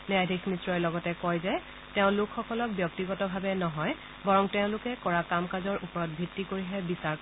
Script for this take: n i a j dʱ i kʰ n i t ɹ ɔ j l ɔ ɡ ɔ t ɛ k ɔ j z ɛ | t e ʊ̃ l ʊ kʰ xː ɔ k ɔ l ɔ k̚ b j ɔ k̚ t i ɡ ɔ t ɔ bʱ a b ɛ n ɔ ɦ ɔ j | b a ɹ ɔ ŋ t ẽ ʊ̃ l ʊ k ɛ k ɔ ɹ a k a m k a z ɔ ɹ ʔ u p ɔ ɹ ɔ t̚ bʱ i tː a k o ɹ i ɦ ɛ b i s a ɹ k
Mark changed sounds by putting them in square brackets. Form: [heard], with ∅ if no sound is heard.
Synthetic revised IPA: n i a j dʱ i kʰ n i t ɹ ɔ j l ɔ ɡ ɔ t ɛ k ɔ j z ɛ | t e ʊ̃ l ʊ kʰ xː ɔ k ɔ l ɔ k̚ b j ɔ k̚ t i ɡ ɔ t ɔ bʱ a b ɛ n ɔ ɦ ɔ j | b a ɹ ɔ ŋ t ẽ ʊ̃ l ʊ k ɛ k ɔ ɹ a k a m k a z ɔ ɹ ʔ u p ɔ ɹ ɔ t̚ bʱ i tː [i] k o ɹ i ɦ ɛ b i s a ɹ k